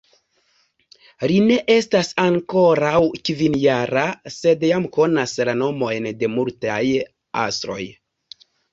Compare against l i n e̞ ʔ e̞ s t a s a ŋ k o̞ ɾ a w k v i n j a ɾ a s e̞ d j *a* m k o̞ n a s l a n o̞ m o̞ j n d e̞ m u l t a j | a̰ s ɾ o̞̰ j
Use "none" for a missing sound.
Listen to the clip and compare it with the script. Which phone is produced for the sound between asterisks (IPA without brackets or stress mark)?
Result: a